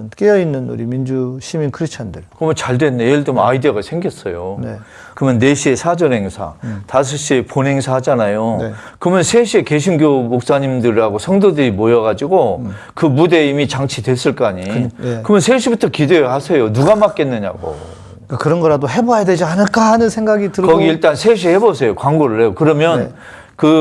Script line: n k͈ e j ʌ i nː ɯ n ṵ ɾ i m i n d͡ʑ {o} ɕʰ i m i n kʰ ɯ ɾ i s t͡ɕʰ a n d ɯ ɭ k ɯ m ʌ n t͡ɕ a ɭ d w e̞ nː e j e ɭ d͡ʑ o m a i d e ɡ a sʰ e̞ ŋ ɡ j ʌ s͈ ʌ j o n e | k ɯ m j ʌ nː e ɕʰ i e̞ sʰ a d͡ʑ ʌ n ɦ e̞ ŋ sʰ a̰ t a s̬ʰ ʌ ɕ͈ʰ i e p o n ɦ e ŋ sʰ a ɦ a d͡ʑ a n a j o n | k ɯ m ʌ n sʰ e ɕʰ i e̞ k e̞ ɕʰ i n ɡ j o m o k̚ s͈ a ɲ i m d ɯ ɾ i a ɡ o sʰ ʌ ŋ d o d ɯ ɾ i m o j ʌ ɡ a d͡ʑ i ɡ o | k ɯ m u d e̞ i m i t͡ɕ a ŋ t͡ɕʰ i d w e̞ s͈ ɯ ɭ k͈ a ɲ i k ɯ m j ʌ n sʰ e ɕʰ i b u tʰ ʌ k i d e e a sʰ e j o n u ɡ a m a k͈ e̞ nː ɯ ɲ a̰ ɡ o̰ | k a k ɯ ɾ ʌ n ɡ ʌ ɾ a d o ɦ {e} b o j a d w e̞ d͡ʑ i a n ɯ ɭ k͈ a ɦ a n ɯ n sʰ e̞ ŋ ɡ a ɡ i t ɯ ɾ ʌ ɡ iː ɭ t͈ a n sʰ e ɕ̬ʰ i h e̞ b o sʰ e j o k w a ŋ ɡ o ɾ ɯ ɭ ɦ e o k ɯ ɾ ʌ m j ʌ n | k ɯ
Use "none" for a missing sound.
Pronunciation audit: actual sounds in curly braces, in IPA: u, e

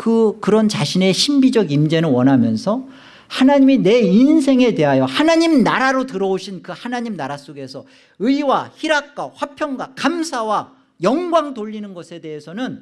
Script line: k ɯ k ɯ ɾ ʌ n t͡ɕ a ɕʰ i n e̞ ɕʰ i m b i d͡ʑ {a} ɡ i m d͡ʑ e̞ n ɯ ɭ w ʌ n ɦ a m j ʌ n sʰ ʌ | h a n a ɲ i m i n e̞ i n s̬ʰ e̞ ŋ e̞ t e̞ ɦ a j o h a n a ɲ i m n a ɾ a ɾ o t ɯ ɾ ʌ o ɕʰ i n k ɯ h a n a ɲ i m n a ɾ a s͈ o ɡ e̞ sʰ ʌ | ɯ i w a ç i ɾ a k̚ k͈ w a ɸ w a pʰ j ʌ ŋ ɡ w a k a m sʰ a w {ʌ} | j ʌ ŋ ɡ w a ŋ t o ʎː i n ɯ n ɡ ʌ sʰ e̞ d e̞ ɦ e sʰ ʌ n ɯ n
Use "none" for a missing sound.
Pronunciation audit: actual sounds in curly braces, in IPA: ʌ, a

